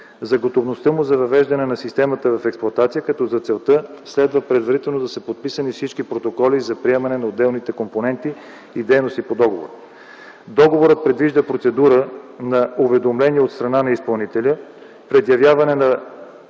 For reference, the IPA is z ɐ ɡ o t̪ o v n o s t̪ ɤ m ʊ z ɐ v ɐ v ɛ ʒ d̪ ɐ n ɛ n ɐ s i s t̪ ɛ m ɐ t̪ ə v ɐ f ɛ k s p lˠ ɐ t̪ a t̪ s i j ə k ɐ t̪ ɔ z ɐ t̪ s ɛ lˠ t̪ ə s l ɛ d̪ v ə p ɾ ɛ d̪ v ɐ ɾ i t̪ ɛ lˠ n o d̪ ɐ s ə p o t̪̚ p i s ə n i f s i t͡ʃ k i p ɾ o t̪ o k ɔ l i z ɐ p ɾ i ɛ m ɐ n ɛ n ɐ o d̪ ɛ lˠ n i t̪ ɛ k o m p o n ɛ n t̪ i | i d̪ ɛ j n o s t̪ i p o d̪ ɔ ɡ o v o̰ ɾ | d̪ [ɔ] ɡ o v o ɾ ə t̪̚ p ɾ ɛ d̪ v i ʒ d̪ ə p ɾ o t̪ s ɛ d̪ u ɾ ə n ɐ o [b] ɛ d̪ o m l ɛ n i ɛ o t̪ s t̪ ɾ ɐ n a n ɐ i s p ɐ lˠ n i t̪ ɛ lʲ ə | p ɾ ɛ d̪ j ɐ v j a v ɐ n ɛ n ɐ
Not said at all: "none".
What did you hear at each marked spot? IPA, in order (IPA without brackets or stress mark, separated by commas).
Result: ɔ, v